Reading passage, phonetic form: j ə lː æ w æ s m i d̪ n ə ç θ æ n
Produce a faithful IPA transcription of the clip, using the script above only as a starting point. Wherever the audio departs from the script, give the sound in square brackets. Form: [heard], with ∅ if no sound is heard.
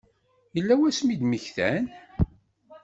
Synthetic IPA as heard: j ə lː æ w æ s m i d̪ [m] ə ç θ æ n